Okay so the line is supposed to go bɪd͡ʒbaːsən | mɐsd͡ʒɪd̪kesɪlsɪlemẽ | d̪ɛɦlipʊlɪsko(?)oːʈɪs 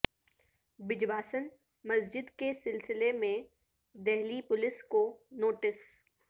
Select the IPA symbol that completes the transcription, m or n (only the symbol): n